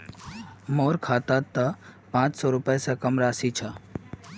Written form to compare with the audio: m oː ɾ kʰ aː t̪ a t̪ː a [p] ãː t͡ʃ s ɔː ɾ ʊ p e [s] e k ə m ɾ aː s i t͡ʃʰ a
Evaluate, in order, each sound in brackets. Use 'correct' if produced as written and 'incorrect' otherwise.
correct, correct

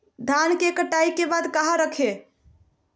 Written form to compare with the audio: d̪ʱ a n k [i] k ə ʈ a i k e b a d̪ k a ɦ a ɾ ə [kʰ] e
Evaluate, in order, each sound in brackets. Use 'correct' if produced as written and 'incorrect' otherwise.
incorrect, correct

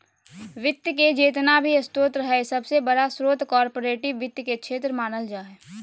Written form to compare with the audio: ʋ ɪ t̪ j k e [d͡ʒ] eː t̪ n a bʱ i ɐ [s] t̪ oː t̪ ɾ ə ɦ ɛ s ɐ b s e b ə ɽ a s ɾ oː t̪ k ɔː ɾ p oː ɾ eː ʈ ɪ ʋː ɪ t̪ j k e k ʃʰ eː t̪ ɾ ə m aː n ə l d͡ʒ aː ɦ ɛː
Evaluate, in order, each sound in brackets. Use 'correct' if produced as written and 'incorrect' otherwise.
correct, correct

